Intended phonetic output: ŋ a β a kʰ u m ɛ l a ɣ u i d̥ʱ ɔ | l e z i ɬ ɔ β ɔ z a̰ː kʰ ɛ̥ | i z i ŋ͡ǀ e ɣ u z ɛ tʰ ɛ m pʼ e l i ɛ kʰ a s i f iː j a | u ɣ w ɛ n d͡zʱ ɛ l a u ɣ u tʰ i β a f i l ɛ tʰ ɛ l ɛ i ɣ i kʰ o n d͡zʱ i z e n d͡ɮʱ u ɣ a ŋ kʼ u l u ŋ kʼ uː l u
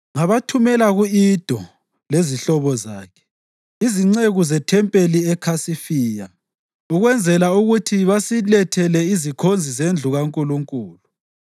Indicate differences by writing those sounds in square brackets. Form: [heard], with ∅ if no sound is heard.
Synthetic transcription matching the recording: ŋ a β a [tʰ] u m ɛ l a ɣ u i d̥ʱ ɔ | l e z i ɬ ɔ β ɔ z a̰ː kʰ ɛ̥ | i z i ŋ͡ǀ e ɣ u z ɛ tʰ ɛ m pʼ e l i ɛ kʰ a s i f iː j a | u ɣ w ɛ n d͡zʱ ɛ l a u ɣ u tʰ i β a [s] i l ɛ tʰ ɛ l ɛ i [z] i kʰ o n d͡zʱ i z e n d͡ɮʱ u ɣ a ŋ kʼ u l u ŋ kʼ uː l u